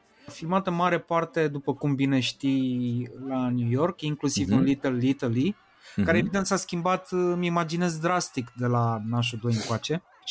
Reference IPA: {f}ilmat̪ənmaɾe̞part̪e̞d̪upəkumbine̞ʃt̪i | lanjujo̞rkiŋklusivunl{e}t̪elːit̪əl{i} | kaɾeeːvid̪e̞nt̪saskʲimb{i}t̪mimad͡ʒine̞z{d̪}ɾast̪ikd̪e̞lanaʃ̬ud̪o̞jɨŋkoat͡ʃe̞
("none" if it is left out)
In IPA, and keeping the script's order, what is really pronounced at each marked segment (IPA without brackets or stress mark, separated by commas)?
f, i, i, a, d̪